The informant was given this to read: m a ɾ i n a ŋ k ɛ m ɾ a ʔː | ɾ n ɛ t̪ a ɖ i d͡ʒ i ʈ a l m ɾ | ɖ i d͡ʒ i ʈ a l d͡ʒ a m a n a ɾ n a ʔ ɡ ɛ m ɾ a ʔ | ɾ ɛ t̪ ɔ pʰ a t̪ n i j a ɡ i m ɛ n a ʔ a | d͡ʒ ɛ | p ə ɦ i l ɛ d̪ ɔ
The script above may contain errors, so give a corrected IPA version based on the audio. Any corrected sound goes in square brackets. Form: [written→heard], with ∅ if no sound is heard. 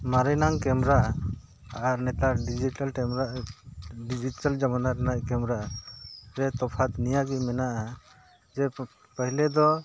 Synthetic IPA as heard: m a ɾ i n a ŋ k ɛ m ɾ a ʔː | ɾ n ɛ t̪ a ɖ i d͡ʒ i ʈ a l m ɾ | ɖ i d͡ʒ i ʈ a l d͡ʒ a m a n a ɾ n a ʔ [ɡ→k] ɛ m ɾ a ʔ | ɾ ɛ t̪ ɔ pʰ a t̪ n i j a ɡ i m ɛ n a ʔ a | d͡ʒ ɛ | p ə ɦ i l ɛ d̪ ɔ